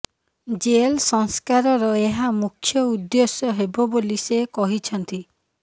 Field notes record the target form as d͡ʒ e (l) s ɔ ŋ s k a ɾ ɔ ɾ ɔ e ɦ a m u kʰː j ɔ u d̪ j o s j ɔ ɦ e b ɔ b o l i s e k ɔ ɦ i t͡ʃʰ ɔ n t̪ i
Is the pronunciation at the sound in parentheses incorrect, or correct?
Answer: correct